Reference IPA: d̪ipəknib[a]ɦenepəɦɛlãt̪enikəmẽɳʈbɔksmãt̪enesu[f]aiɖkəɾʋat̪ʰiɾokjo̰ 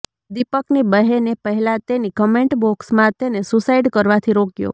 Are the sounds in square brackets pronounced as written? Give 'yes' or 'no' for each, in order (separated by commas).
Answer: no, no